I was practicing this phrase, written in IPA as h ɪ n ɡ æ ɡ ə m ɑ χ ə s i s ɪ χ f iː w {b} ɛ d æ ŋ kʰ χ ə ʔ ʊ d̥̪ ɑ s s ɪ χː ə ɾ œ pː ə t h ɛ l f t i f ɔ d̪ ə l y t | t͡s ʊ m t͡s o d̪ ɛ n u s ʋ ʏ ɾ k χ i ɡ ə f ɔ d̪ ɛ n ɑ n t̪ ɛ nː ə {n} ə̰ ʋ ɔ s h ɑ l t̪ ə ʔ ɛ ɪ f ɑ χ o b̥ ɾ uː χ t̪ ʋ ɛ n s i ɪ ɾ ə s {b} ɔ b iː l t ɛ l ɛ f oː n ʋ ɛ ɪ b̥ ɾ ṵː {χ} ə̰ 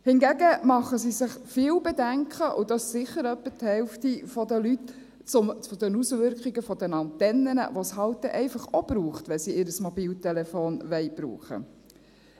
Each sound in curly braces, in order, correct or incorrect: correct, correct, incorrect: m, correct

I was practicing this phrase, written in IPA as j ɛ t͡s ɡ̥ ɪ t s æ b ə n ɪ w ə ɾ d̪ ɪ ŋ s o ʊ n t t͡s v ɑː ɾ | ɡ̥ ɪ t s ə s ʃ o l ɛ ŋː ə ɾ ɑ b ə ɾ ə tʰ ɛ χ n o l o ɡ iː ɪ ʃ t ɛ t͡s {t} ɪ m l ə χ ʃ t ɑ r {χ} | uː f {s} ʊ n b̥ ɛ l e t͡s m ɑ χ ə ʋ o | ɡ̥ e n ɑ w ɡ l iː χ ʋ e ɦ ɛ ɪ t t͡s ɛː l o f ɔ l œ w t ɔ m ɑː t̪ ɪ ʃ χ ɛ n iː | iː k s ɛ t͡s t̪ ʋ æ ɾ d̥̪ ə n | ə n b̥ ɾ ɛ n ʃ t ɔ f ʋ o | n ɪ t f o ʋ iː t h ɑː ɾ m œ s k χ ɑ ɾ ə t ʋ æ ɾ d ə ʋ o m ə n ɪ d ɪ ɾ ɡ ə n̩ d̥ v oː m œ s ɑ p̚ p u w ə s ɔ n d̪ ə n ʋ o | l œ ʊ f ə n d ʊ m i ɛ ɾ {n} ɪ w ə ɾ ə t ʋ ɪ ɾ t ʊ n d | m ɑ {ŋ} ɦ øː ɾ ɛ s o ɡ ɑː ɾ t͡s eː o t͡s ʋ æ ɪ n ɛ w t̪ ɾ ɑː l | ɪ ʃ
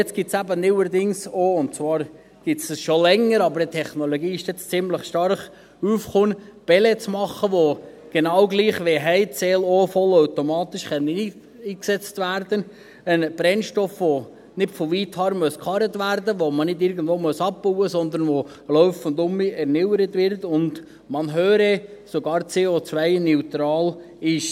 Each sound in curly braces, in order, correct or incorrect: incorrect: t͡s, correct, incorrect: χ, correct, incorrect: n

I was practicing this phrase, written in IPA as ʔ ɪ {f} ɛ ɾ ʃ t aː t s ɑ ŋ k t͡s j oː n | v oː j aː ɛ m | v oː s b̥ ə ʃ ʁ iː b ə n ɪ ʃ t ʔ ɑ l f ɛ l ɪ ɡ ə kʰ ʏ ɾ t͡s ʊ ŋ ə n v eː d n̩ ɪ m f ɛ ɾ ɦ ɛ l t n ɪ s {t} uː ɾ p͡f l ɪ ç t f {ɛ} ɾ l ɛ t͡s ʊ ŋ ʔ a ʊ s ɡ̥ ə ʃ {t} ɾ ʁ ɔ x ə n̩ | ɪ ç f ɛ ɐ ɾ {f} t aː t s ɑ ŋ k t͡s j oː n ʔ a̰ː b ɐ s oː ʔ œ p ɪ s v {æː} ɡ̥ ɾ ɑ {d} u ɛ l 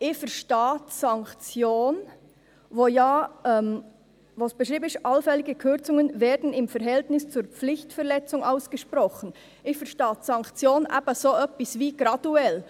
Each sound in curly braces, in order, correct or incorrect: correct, incorrect: t͡s, correct, incorrect: p, incorrect: ʃ, incorrect: iː, correct

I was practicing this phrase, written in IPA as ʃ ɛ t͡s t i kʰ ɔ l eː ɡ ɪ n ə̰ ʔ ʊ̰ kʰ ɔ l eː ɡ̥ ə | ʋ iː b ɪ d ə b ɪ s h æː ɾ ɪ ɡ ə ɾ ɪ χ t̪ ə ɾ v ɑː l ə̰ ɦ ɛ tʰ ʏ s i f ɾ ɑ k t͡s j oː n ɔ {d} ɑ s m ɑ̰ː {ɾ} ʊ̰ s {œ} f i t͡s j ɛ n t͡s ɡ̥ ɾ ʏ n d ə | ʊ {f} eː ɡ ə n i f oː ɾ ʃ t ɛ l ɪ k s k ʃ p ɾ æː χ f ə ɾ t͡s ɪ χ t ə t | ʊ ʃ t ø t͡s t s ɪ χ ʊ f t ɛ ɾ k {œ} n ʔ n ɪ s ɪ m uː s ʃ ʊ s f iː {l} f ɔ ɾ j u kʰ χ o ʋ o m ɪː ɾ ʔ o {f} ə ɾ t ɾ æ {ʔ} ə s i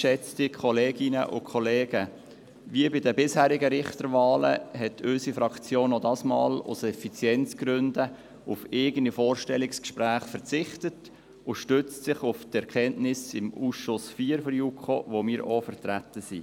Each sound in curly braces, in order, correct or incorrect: correct, incorrect: l, incorrect: ɛ, correct, incorrect: ɛ, incorrect: ɾ, correct, incorrect: t

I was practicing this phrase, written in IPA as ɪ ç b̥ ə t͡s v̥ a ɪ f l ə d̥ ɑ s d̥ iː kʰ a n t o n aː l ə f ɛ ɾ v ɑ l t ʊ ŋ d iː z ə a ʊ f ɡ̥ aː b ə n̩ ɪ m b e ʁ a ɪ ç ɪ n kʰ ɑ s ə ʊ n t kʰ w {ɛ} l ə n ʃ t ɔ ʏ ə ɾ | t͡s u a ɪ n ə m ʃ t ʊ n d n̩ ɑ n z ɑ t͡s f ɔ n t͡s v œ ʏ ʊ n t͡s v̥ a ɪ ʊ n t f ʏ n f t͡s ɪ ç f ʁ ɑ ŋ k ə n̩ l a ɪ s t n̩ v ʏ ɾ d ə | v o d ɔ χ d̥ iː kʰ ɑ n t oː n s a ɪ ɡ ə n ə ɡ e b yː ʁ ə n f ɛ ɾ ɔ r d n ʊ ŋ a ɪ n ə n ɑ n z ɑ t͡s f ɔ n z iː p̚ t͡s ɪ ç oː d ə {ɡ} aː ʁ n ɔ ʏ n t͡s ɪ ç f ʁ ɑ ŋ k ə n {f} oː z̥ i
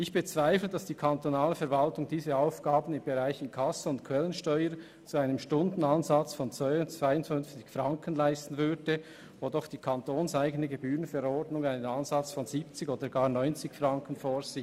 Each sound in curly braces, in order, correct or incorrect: correct, correct, correct

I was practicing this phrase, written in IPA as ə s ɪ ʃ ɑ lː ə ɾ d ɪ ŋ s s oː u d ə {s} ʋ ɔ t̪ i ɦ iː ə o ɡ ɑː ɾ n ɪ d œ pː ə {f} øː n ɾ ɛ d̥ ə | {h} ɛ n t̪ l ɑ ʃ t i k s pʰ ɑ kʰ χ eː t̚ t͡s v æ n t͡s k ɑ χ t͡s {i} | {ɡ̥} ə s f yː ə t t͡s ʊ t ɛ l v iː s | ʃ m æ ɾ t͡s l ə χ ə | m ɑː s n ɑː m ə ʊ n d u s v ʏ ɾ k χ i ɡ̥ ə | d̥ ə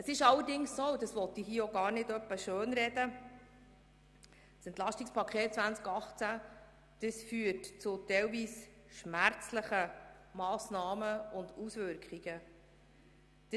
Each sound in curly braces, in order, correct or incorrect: correct, incorrect: ʃ, incorrect: s, incorrect: æ, incorrect: d̥

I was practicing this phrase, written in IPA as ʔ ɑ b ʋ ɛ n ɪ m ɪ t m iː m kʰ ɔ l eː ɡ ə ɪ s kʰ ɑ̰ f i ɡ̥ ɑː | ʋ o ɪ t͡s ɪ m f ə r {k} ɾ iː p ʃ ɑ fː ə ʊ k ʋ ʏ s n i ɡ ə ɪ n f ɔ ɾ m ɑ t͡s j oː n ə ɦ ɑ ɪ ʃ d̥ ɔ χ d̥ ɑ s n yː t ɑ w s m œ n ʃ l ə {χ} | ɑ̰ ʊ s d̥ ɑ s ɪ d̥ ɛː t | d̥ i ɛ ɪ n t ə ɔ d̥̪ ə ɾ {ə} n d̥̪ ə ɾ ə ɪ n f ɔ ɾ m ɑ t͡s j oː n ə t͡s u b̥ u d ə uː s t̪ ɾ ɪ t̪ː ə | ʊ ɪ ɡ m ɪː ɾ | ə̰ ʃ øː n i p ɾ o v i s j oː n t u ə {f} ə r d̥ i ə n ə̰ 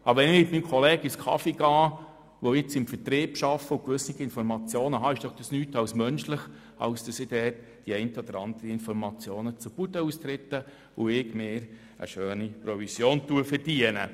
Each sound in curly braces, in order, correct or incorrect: incorrect: t, correct, incorrect: ɑ, correct

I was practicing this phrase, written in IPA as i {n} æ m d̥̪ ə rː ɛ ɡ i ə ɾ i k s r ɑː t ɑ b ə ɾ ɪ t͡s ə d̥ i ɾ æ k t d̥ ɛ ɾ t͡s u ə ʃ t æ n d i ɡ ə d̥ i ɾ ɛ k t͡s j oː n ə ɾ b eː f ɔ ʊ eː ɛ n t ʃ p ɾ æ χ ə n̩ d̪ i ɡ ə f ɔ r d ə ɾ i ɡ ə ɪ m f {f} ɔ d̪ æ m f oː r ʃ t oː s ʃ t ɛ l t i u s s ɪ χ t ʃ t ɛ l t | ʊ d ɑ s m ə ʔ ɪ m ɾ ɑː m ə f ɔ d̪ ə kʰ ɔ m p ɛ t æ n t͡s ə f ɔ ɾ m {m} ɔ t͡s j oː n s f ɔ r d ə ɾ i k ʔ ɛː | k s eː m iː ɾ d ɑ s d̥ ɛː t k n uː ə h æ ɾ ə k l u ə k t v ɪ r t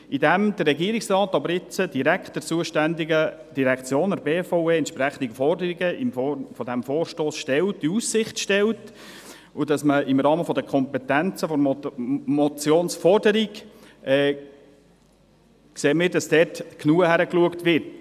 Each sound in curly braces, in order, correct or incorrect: incorrect: d, correct, correct

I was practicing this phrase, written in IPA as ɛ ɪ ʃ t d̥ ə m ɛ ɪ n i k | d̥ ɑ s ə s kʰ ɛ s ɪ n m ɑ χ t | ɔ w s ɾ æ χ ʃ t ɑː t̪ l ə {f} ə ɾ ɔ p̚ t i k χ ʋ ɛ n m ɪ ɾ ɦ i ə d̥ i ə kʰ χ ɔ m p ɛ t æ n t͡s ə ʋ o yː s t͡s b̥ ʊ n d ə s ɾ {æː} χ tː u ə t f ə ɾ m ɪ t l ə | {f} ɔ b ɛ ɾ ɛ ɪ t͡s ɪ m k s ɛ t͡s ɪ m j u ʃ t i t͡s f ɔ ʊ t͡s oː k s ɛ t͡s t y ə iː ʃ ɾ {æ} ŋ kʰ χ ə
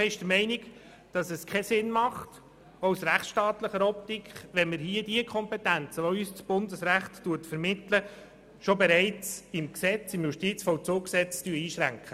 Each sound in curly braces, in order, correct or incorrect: incorrect: χ, incorrect: æ, incorrect: ʃ, correct

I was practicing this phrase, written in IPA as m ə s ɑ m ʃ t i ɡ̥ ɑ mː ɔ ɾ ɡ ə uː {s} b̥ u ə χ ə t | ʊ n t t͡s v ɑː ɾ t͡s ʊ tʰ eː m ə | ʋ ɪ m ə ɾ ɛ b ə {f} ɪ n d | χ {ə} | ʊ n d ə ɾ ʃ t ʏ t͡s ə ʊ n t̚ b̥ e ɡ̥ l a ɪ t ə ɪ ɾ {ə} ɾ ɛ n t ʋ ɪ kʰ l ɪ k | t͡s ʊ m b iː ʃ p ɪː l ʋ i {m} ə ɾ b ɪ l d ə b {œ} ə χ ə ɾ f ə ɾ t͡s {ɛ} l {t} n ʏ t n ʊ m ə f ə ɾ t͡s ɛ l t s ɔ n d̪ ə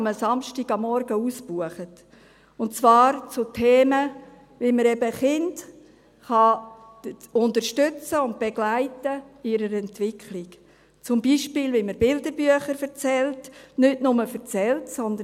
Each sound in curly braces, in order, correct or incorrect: correct, incorrect: χ, incorrect: ɑ, correct, correct, incorrect: y, correct, correct

